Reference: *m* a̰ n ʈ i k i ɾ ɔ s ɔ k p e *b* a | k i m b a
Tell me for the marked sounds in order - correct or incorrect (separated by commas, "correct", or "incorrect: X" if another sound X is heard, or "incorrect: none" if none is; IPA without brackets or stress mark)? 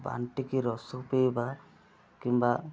incorrect: b, correct